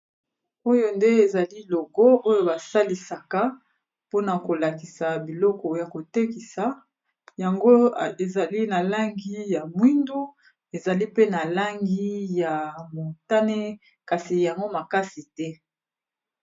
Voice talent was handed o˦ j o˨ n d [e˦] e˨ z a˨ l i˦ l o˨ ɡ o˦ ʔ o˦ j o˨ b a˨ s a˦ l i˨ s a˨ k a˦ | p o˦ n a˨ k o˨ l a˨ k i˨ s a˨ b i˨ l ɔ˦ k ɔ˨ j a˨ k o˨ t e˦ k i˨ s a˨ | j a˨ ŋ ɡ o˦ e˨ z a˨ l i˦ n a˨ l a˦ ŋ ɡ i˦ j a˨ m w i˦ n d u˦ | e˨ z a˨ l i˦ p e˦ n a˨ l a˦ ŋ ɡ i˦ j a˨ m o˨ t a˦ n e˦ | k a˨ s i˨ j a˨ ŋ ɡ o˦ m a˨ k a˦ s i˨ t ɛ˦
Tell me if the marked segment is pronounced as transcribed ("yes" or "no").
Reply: yes